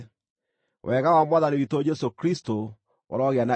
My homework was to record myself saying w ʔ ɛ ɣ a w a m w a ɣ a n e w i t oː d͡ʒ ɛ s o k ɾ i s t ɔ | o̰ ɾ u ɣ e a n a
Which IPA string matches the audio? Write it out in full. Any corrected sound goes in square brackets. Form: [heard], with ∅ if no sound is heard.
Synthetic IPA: w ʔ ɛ ɣ a w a m w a [ð] a n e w i t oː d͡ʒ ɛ s o k ɾ i s t [o] | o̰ ɾ [ɔ] ɣ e a n a